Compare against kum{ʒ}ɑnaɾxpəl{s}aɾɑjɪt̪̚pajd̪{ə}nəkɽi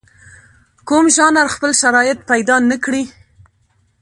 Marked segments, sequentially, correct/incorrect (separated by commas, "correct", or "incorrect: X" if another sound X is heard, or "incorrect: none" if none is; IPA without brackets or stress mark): correct, incorrect: ʃ, incorrect: ɑ